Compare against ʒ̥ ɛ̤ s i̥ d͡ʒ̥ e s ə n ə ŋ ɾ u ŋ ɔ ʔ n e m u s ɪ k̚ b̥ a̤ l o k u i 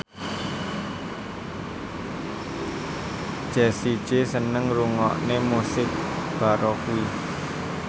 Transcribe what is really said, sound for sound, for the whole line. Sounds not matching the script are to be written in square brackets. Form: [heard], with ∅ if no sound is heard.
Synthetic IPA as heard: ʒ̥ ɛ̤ s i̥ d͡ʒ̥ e s ə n ə ŋ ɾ u ŋ ɔ ʔ n e m u s ɪ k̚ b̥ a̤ [ɾ] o k u i